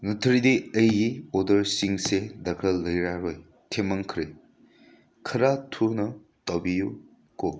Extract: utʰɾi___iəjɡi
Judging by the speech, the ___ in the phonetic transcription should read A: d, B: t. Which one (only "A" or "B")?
A